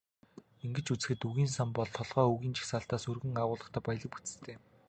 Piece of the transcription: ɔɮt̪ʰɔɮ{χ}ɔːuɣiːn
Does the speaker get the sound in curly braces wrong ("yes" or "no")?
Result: yes